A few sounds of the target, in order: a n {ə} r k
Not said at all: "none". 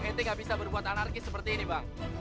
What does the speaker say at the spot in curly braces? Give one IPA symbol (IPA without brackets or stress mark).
a